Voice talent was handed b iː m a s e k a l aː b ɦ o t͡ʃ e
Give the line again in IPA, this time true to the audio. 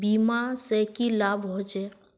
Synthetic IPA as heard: b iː m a s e k i l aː b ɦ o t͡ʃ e